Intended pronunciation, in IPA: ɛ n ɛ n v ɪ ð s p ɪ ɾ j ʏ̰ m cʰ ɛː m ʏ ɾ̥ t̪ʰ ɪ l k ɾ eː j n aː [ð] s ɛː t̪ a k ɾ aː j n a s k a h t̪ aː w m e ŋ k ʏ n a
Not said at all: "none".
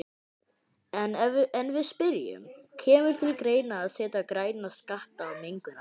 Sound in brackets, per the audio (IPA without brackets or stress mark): ð